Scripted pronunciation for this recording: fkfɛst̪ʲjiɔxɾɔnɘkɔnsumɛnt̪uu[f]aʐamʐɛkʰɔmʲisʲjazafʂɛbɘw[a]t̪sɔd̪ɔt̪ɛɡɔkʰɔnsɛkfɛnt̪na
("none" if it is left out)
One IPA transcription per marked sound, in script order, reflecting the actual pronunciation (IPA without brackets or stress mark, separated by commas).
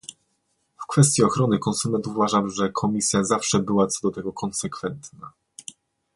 v, a